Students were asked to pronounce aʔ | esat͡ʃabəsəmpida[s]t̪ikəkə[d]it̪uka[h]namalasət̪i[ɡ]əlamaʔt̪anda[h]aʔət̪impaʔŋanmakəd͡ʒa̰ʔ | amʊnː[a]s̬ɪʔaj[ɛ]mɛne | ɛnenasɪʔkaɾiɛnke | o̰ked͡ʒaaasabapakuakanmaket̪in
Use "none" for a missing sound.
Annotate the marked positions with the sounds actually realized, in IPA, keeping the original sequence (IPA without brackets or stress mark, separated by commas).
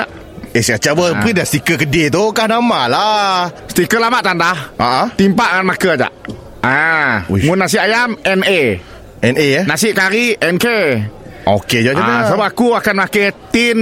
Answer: s, d, h, k, h, a, a